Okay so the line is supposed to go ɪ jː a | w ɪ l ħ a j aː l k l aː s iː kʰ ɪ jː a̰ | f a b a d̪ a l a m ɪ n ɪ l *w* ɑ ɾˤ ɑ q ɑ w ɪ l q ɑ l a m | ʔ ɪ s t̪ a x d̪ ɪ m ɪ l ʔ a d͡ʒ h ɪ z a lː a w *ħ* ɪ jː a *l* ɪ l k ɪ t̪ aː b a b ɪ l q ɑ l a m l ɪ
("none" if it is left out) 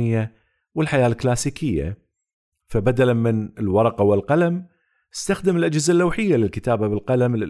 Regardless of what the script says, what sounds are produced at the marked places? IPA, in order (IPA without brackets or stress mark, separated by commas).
w, ħ, l